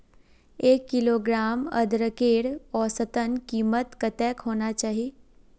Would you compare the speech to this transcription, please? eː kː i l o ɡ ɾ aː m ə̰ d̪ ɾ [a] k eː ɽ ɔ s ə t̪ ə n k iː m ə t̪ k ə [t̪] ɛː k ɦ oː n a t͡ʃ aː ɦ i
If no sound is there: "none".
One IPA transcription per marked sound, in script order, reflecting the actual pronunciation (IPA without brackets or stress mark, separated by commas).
ə, t̪